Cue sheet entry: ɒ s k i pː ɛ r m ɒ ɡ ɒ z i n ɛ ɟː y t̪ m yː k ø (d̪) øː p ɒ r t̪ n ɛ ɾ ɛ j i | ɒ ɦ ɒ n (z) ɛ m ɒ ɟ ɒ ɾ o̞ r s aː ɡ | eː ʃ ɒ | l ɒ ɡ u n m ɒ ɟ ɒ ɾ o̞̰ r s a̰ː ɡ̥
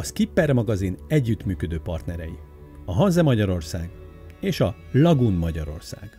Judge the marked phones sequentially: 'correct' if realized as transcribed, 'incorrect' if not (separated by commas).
correct, correct